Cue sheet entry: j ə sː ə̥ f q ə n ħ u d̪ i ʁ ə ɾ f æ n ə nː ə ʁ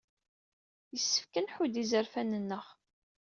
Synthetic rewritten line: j ə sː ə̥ f k ə n ħ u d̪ i z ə ɾ f æ n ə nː ə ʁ